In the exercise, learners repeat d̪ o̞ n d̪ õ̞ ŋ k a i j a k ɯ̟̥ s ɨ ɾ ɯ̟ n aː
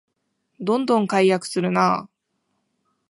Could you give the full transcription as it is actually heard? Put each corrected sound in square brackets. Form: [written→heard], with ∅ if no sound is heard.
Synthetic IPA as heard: d̪ [o̞→õ̞] n d̪ õ̞ ŋ k a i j a k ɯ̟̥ s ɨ ɾ ɯ̟ n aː